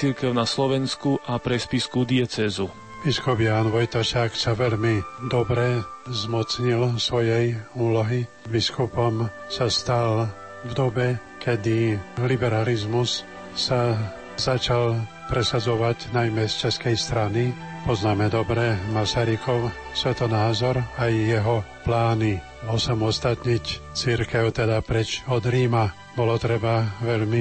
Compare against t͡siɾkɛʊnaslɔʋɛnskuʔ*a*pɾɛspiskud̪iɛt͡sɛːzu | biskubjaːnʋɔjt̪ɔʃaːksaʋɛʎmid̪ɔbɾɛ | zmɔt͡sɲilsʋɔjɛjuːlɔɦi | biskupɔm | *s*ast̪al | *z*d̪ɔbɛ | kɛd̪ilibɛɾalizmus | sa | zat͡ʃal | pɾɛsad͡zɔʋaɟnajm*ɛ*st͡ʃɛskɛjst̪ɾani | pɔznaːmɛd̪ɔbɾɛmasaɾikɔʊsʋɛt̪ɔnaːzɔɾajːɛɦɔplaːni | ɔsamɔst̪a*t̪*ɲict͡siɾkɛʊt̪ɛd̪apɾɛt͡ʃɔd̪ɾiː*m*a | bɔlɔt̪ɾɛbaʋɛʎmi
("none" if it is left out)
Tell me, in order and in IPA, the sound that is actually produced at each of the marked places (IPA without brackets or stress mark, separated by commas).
a, s, v, ɛ, t̪, m